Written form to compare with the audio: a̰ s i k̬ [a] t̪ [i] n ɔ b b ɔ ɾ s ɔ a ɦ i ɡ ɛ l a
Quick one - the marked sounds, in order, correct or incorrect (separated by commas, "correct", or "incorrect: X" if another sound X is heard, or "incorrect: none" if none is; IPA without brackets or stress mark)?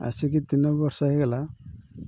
incorrect: i, correct